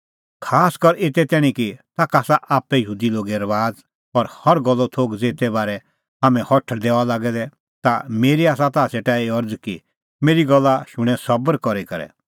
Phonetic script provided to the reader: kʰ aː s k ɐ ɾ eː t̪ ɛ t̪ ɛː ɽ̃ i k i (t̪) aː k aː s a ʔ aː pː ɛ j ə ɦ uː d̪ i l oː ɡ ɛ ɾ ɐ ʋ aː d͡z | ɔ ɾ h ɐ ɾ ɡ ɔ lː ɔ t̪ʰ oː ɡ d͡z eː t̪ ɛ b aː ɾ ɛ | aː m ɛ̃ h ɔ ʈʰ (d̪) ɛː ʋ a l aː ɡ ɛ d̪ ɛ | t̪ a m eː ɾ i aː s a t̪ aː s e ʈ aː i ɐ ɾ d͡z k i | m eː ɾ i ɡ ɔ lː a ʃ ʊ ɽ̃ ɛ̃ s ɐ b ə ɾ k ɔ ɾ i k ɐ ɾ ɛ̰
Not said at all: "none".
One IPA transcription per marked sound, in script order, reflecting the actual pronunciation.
t̪, d̪

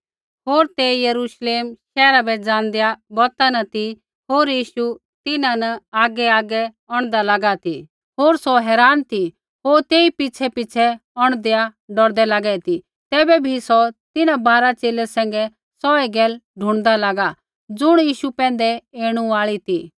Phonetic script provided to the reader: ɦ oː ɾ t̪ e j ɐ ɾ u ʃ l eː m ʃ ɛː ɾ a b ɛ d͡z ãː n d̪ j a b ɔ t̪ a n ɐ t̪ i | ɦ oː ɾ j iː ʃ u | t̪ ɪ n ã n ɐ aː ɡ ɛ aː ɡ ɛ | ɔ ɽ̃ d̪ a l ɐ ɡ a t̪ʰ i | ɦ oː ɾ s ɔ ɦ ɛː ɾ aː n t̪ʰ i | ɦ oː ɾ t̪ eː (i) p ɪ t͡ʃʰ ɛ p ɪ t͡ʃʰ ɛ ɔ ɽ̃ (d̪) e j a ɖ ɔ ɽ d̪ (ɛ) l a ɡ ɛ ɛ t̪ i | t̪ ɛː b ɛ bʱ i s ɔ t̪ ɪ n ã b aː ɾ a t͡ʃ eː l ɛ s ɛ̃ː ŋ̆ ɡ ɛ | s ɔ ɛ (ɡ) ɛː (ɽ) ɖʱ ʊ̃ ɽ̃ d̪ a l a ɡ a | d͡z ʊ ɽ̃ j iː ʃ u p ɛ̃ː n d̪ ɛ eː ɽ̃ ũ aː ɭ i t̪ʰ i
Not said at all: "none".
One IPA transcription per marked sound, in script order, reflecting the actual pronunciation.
i, d̪, ɛ, ɡ, l

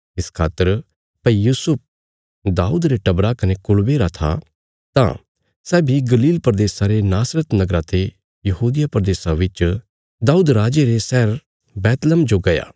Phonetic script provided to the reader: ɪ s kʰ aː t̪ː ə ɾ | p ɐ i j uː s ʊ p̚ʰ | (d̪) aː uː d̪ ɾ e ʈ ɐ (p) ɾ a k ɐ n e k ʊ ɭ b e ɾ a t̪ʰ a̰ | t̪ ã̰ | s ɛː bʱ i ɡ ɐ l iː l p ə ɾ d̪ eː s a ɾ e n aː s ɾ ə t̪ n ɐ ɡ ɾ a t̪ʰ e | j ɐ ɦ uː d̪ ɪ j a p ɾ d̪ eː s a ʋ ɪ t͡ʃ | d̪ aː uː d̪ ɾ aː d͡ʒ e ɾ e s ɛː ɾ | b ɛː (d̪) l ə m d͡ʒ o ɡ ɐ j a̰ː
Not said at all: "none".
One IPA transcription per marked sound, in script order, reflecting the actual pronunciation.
d̪, b, t̪

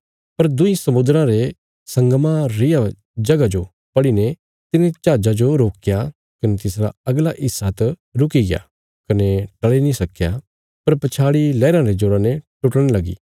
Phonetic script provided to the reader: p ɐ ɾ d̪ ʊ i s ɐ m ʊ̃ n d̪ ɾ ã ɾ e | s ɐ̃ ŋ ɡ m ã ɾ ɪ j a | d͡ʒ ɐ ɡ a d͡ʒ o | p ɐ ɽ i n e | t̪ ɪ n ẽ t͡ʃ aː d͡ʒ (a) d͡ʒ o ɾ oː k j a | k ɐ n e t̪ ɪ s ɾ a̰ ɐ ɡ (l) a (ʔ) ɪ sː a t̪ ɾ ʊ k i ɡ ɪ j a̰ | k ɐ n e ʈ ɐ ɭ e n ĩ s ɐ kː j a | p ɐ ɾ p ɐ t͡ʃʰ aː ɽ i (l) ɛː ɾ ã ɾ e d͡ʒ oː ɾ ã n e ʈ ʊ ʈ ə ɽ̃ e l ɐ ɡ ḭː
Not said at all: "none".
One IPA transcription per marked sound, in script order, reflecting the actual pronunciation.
a, l, ʔ, l

